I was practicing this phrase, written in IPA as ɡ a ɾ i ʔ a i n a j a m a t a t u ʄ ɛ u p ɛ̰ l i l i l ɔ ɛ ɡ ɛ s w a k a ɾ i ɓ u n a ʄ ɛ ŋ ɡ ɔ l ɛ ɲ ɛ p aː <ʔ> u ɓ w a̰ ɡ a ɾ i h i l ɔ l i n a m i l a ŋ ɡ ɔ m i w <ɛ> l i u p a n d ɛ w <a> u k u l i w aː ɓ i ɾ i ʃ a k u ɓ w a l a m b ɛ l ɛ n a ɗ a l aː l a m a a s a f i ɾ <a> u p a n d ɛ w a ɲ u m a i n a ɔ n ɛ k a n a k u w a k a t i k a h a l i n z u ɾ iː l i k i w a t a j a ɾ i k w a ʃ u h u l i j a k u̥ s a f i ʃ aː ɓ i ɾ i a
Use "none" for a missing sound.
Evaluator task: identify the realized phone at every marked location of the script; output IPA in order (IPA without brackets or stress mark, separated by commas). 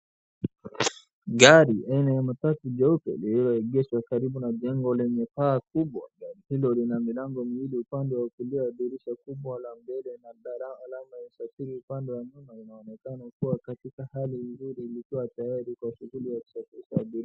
k, i, a, i